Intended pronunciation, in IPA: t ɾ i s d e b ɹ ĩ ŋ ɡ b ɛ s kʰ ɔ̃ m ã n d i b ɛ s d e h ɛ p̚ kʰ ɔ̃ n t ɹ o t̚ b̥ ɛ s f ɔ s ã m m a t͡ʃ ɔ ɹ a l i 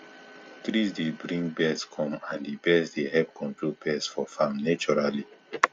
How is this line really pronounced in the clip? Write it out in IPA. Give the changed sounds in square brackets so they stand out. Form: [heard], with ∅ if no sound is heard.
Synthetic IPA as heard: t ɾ i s d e b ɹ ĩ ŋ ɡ b ɛ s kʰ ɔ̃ m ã n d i b ɛ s d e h ɛ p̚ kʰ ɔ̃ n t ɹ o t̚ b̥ ɛ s f ɔ [f] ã m [n] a t͡ʃ ɔ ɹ a l i